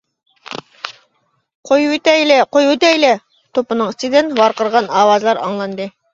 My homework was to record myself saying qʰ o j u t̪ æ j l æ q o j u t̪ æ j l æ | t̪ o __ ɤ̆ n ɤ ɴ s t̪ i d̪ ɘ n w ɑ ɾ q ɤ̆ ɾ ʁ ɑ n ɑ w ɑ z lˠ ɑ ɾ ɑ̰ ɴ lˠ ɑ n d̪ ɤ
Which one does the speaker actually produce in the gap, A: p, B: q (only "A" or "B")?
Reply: A